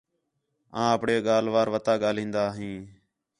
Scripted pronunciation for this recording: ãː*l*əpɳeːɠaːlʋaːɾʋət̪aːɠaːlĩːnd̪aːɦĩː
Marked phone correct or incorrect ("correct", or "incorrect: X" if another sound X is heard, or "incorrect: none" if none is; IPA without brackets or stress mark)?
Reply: incorrect: none